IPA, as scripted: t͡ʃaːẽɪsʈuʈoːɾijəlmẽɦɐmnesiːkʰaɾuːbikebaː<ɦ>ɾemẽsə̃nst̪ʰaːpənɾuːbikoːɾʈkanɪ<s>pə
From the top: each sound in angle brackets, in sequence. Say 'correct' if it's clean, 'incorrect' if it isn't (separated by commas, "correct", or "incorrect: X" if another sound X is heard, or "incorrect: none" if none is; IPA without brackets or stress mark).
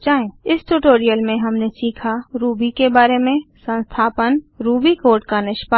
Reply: incorrect: none, incorrect: ʃ